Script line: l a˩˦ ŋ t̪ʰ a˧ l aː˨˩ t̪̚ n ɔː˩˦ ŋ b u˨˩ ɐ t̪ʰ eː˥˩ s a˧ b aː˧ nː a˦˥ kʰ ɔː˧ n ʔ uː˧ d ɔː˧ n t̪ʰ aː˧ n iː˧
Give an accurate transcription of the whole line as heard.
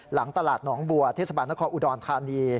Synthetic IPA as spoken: l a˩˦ ŋ t̪ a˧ l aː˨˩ t̪̚ n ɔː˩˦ ŋ b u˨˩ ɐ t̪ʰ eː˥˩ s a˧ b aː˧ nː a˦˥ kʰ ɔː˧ n ʔ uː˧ d ɔː˧ n t̪ʰ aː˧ n iː˧